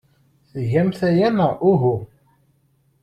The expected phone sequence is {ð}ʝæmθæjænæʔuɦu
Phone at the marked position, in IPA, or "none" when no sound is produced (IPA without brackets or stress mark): θ